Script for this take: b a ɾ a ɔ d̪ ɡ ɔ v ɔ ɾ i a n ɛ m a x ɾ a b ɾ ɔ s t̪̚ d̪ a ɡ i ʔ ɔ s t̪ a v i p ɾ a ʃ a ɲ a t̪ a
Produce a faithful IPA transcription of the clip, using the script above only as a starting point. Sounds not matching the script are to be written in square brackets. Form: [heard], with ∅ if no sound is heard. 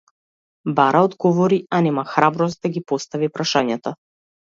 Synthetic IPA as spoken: b a ɾ a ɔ d̪ ɡ ɔ v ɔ ɾ i a n ɛ m a x ɾ a b ɾ ɔ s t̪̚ d̪ a ɡ i [p] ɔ s t̪ a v i p ɾ a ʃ a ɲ a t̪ a